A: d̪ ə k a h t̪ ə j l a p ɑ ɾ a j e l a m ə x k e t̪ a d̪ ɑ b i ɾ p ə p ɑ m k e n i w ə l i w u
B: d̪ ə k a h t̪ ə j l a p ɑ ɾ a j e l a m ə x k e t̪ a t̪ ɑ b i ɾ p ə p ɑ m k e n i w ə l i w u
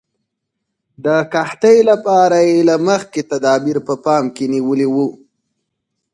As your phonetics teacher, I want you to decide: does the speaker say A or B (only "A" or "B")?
A